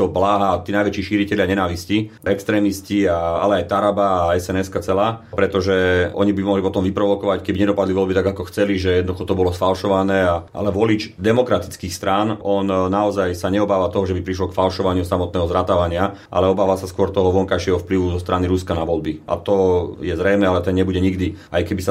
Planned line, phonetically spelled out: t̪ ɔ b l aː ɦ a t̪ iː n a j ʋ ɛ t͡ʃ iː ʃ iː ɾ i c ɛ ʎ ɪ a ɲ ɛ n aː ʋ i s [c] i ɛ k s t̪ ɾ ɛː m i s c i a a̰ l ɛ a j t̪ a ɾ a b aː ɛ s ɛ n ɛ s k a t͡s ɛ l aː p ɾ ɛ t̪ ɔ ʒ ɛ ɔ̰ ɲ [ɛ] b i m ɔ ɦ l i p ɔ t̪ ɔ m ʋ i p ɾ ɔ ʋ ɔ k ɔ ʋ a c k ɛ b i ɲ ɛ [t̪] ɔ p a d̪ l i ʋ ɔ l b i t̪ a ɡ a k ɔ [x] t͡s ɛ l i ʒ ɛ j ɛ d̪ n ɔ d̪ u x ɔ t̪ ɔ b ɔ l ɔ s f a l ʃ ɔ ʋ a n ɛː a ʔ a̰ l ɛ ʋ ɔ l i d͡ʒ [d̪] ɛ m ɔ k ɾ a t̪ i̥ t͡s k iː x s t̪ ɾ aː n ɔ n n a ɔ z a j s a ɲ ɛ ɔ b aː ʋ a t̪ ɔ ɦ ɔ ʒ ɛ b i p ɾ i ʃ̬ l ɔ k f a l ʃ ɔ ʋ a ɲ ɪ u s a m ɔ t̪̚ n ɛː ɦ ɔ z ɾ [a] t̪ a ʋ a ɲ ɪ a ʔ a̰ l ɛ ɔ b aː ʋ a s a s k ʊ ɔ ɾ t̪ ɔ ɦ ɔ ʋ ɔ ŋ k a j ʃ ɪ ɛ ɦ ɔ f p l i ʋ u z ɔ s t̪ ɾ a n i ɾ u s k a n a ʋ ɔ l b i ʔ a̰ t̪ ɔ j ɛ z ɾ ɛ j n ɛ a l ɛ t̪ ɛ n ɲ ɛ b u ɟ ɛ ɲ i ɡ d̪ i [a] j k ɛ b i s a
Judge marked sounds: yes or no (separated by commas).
yes, no, no, yes, yes, yes, yes